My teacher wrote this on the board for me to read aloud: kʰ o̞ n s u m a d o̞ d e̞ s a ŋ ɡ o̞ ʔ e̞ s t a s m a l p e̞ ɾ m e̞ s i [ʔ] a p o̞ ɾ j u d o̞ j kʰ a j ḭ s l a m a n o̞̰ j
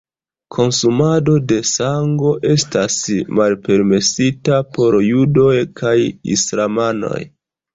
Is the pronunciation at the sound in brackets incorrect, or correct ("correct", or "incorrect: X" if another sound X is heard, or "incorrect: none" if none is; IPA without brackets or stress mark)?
incorrect: t